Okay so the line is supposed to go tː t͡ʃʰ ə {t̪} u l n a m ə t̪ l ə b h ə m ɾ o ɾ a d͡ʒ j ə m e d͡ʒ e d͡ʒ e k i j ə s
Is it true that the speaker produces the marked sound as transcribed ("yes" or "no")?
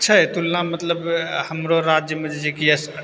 yes